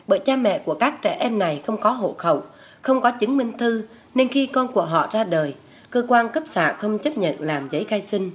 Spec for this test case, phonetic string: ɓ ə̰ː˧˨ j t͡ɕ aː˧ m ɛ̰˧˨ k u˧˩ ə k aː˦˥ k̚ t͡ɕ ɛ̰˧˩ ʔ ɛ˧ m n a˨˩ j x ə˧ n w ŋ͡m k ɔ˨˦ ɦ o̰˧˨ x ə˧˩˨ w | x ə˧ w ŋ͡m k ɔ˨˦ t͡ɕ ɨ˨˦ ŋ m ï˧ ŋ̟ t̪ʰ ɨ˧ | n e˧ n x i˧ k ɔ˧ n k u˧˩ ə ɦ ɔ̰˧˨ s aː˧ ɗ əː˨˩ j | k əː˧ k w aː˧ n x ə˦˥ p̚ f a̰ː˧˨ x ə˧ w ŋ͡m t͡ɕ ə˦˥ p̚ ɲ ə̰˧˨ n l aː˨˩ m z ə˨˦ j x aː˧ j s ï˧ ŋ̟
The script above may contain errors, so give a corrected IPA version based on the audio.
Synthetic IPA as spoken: ɓ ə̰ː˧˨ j t͡ɕ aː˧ m ɛ̰˧˨ k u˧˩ ə k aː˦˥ k̚ t͡ɕ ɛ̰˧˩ ʔ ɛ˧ m n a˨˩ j x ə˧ w ŋ͡m k ɔ˨˦ ɦ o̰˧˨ x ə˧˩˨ w | x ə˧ w ŋ͡m k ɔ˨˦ t͡ɕ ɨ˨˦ ŋ m ï˧ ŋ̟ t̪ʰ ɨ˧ | n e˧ n x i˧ k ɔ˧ n k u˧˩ ə ɦ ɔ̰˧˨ z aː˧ ɗ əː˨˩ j | k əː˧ k w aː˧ n k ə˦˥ p̚ s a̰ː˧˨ x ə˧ w ŋ͡m t͡ɕ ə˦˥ p̚ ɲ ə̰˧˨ n l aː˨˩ m z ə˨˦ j x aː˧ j s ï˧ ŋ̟